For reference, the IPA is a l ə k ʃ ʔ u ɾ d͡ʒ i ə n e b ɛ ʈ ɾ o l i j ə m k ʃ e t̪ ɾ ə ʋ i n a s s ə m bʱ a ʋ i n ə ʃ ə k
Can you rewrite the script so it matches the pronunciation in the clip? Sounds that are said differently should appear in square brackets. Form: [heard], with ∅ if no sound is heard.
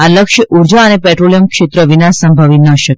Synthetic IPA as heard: a l ə k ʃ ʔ u ɾ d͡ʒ [a] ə n e [p] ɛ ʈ ɾ o l i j ə m k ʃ e t̪ ɾ ə ʋ i n a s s ə m bʱ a ʋ i n ə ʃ ə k